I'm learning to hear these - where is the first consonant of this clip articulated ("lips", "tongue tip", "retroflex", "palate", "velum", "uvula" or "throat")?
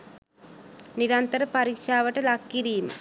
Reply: tongue tip